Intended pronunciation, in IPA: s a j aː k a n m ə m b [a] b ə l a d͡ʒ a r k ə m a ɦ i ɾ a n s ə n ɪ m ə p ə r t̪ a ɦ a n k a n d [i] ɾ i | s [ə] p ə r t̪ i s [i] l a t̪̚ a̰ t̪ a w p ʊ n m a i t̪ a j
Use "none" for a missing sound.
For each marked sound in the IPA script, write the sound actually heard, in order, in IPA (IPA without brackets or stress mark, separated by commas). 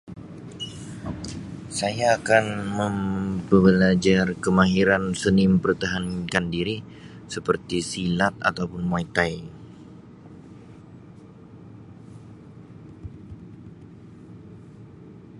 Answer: ə, i, ə, i